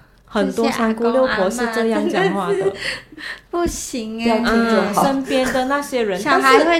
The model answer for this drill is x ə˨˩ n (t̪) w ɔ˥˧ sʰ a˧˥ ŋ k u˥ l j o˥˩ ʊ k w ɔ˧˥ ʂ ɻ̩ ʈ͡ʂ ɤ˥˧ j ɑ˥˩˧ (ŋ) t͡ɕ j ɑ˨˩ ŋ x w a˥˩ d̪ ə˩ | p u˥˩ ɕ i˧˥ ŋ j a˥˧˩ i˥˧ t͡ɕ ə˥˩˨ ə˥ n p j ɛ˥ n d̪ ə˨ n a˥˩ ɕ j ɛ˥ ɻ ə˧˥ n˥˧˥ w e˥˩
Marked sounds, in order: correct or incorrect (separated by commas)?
correct, correct